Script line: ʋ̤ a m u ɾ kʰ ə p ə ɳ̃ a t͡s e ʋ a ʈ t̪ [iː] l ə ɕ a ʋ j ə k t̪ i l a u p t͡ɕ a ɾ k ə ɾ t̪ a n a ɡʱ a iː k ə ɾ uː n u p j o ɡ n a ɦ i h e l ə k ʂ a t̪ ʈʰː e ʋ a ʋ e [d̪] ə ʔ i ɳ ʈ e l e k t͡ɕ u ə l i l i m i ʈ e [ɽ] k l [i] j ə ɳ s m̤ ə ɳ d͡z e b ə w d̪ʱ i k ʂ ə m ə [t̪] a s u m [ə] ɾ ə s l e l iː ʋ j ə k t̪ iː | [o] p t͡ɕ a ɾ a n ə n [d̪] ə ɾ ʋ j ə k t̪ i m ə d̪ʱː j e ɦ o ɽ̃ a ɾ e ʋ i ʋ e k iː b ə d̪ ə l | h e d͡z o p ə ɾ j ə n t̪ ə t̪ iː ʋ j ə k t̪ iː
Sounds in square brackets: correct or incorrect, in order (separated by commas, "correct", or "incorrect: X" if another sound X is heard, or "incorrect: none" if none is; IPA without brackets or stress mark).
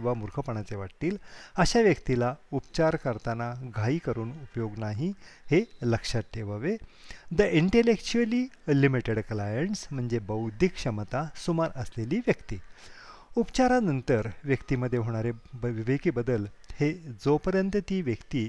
correct, correct, correct, incorrect: a, correct, incorrect: a, incorrect: u, incorrect: t̪